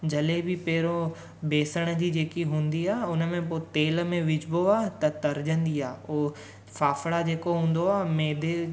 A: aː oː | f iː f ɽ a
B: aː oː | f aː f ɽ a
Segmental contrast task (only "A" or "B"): B